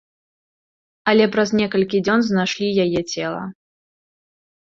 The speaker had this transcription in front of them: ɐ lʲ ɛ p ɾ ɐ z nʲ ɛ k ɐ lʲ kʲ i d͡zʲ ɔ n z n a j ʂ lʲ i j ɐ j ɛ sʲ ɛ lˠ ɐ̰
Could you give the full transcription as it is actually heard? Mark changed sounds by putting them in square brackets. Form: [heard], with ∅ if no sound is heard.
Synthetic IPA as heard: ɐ lʲ ɛ p ɾ ɐ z nʲ ɛ k ɐ lʲ kʲ i d͡zʲ ɔ n z n a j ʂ lʲ i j [a] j ɛ [t͡sʲ] ɛ lˠ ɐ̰